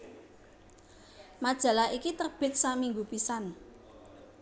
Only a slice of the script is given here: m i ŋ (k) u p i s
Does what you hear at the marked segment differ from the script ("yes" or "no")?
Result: yes